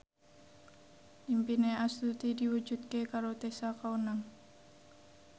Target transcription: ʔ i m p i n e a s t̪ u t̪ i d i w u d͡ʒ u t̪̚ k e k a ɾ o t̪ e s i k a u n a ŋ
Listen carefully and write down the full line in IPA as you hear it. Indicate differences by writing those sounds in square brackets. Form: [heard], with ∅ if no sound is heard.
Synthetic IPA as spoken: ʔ i m p i n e a s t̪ u t̪ i d i w u d͡ʒ u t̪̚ k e k a ɾ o t̪ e s [a] k a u n a ŋ